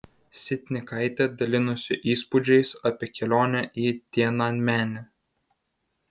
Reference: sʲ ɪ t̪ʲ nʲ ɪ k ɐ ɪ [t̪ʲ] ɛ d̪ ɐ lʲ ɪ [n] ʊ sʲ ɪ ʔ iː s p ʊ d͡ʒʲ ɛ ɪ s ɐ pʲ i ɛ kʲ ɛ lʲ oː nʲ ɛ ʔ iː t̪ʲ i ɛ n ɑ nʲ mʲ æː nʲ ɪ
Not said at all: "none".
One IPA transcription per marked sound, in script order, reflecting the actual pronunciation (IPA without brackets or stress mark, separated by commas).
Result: t̪ʲ, n